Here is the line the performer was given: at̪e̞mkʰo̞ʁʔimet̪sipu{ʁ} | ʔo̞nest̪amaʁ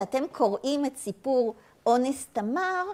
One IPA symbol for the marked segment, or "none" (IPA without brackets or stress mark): ʁ